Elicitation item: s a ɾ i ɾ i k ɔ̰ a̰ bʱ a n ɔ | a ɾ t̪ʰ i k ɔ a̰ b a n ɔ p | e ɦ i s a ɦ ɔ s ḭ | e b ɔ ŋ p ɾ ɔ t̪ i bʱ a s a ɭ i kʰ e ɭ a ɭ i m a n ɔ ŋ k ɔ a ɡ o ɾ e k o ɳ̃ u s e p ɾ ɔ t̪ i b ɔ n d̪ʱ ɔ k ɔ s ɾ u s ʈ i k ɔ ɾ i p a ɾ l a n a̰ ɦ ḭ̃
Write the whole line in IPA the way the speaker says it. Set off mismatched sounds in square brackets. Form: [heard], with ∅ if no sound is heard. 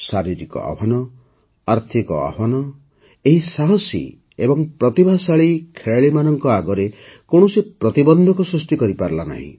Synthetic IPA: s a ɾ i ɾ i k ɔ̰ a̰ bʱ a n ɔ | a ɾ t̪ʰ i k ɔ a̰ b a n ɔ [∅] | e ɦ i s a ɦ ɔ s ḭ | e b ɔ ŋ p ɾ ɔ t̪ i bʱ a s a ɭ i kʰ e ɭ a ɭ i m a n ɔ ŋ k ɔ a ɡ [ɔ] ɾ e k o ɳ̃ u s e p ɾ ɔ t̪ i b ɔ n d̪ʱ ɔ k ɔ s ɾ u s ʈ i k ɔ ɾ i p a ɾ l a n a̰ ɦ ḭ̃